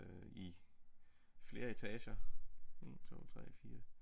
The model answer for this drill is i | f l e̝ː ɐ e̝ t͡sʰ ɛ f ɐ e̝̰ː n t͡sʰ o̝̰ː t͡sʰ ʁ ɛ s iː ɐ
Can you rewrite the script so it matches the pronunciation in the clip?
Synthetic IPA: i | f l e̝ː ɐ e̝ t͡sʰ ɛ ɕ ɐ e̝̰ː n t͡sʰ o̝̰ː t͡sʰ ʁ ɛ f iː ɐ